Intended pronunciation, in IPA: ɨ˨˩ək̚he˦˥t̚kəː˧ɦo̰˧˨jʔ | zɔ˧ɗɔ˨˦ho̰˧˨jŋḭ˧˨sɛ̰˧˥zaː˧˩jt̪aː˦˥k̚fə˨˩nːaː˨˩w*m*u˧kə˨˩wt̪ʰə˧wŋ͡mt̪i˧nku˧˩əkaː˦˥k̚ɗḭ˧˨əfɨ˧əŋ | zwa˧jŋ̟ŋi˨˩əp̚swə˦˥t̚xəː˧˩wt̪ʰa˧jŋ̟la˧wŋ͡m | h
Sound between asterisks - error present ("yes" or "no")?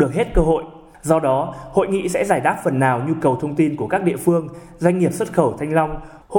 yes